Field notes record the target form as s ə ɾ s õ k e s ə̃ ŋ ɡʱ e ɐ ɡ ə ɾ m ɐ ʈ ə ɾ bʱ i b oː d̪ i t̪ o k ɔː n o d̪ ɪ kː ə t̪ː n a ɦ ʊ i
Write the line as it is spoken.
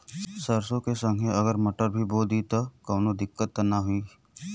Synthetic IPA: s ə ɾ s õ k e s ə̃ ŋ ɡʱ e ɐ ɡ ə ɾ m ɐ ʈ ə ɾ bʱ i b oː d̪ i t̪ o k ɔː n o d̪ ɪ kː ə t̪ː n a ɦ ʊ i

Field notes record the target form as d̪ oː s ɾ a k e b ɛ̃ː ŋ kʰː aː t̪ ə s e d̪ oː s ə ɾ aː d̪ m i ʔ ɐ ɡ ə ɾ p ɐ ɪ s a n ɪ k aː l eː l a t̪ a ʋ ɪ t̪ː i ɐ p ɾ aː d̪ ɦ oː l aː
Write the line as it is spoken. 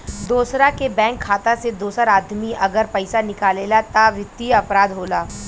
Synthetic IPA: d̪ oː s ɾ a k e b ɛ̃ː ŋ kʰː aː t̪ a s e d̪ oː s ə ɾ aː d̪ m i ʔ ɐ ɡ ə ɾ p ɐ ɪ s a n ɪ k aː l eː l a t̪ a ʋ ɪ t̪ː i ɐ p ɾ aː d̪ ɦ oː l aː

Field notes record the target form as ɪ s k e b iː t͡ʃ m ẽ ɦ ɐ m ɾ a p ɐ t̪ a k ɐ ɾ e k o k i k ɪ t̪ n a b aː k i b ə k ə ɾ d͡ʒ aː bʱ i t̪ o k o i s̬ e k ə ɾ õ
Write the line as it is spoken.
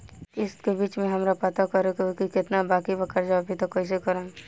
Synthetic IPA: ɪ s k e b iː t͡ʃ m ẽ ɦ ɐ m ɾ a p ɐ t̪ a k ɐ ɾ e k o k i k ɪ t̪ n a b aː k i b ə k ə ɾ d͡ʒ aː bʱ i t̪ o k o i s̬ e k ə ɾ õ

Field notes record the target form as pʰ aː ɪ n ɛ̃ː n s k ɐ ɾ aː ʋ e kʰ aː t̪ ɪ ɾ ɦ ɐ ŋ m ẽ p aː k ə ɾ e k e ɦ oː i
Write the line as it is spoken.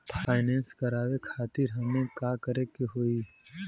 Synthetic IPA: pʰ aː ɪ n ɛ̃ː n s k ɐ ɾ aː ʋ e kʰ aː t̪ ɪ ɾ ɦ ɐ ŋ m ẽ k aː k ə ɾ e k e ɦ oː i

